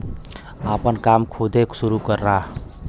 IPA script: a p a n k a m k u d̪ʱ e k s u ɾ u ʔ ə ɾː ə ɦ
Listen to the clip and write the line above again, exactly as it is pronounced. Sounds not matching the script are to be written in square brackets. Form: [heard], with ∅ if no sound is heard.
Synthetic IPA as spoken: a p [ə] n k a m [kʰ] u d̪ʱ e k s u ɾ u [k] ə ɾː [a] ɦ

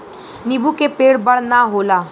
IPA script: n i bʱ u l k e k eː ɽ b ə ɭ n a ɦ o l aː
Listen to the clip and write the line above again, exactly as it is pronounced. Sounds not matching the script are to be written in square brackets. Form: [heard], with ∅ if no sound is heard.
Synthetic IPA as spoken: n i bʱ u [∅] k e [p] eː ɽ b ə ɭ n a ɦ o l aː

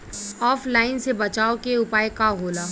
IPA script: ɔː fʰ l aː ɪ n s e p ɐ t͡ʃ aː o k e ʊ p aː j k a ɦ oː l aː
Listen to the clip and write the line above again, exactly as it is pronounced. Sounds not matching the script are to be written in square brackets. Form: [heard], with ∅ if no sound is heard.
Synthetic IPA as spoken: ɔː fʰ l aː ɪ n s e [b] ɐ t͡ʃ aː o k e ʊ p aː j k a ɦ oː l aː

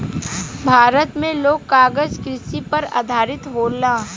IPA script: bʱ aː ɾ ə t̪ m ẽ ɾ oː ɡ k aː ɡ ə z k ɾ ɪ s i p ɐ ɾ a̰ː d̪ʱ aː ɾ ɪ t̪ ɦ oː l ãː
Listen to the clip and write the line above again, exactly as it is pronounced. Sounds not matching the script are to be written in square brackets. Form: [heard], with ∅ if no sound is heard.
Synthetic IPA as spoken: bʱ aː ɾ ə t̪ m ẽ [l] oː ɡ k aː ɡ ə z k ɾ ɪ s i p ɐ ɾ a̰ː d̪ʱ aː ɾ ɪ t̪ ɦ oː l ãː

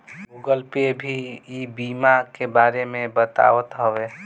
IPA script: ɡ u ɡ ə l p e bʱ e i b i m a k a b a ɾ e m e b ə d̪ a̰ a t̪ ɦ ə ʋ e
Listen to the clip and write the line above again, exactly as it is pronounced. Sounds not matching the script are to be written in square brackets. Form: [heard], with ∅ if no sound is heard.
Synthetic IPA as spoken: ɡ u ɡ ə l p e bʱ [i] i b i m a k [e] b a ɾ e m e b ə [t̪] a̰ [ə] t̪ ɦ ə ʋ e

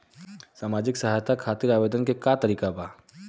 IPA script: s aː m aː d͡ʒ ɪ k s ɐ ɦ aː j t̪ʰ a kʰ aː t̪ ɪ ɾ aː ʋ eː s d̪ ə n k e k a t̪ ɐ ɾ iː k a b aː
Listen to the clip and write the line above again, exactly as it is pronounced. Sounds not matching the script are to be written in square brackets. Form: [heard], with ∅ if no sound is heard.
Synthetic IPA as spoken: s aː m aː d͡ʒ ɪ k s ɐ ɦ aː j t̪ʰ a kʰ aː t̪ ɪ ɾ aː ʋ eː [∅] d̪ ə n k e k a t̪ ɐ ɾ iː k a b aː

